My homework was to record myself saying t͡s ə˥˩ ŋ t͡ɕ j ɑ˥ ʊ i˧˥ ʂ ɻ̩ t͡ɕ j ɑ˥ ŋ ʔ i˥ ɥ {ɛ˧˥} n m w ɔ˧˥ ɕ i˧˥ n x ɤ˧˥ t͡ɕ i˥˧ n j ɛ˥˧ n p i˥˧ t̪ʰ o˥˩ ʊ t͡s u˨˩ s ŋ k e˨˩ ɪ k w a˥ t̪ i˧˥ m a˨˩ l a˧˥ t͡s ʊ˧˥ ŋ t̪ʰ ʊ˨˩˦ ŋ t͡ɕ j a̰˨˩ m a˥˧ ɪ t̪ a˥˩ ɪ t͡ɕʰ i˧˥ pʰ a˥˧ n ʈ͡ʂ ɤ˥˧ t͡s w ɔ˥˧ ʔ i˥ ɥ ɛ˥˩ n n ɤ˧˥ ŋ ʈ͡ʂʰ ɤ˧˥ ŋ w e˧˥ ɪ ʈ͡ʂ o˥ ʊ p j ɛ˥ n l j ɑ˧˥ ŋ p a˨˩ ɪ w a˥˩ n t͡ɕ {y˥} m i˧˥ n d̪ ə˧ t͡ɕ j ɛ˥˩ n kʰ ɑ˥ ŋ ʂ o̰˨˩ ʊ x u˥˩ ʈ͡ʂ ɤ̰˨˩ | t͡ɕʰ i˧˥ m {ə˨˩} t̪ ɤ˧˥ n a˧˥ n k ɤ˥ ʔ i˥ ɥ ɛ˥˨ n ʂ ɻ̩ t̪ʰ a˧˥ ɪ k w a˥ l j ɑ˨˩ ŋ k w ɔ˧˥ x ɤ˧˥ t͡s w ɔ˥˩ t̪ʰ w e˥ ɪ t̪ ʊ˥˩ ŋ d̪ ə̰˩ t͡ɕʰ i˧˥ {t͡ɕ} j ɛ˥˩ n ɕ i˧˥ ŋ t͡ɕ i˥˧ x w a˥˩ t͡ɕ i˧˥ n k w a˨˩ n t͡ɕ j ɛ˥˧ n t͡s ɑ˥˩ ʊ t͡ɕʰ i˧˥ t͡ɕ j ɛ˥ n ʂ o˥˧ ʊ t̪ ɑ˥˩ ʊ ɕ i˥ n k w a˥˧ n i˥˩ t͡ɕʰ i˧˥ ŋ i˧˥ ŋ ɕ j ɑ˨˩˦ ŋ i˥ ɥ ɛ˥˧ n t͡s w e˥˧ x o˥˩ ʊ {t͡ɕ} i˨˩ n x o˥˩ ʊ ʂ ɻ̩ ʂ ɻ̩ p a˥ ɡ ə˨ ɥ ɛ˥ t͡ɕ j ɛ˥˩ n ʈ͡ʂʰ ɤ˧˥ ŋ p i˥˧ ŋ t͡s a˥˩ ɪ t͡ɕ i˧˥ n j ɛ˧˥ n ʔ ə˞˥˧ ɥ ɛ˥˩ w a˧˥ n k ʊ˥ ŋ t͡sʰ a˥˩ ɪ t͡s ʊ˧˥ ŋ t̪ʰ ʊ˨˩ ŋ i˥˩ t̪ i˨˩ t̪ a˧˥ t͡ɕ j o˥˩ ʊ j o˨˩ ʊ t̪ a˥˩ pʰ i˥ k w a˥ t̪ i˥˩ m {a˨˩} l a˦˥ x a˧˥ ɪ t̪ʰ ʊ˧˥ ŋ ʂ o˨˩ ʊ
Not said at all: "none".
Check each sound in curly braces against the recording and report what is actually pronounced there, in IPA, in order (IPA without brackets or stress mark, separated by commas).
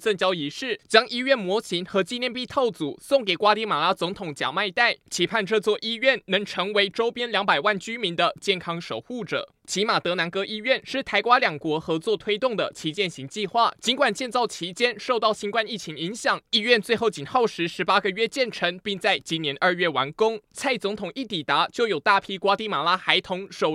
ɛ˥˩, y˥, a˨˩, t͡ɕ, t͡ɕ, a˨˩